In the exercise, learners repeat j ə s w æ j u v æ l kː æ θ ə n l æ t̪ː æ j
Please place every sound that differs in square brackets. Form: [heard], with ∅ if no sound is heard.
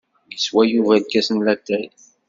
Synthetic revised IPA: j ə s w æ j u v æ l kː æ [s] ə n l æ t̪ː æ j